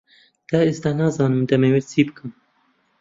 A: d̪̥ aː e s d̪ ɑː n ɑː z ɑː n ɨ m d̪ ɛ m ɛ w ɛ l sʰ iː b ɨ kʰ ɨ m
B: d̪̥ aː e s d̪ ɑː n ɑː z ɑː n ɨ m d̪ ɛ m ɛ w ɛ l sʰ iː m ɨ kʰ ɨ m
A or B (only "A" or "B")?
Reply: A